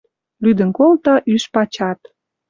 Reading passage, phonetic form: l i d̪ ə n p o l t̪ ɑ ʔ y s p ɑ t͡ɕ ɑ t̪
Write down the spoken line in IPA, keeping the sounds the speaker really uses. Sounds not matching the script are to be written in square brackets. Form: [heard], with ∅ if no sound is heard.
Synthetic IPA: l [y] d̪ ə n [k] o l t̪ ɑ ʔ y [ʃ] p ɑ t͡ɕ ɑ t̪